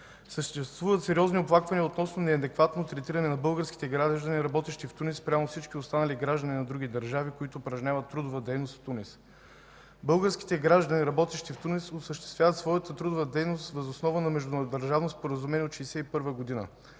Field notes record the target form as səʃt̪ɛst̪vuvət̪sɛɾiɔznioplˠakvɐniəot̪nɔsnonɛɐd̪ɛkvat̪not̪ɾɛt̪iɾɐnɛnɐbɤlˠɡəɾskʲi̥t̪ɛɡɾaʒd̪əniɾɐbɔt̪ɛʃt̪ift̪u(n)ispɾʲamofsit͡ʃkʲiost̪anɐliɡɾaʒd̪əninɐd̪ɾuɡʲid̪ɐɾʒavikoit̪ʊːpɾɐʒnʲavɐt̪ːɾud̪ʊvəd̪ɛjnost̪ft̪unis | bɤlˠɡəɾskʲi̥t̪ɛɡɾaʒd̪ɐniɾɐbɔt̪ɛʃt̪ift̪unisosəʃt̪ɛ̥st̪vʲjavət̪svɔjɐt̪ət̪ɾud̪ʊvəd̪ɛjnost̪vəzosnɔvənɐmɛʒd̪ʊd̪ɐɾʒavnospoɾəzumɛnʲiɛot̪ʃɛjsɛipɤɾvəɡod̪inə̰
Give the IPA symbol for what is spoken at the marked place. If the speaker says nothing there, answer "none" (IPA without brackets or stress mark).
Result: n